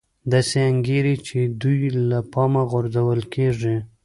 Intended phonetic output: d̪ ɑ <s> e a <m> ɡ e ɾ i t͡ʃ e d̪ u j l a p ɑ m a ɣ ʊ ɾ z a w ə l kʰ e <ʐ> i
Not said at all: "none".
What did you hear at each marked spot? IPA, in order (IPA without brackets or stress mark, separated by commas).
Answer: s, ŋ, ʐ